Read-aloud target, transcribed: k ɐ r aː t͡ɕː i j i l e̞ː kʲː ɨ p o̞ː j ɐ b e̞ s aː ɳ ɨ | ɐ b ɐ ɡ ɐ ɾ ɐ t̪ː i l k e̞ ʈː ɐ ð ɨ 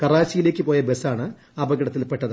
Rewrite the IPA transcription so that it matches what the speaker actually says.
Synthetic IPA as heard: k ɐ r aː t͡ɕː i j i l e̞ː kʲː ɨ p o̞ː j ɐ b e̞ s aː ɳ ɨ | ɐ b ɐ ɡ ɐ ɽ ɐ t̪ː i l p e̞ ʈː ɐ ð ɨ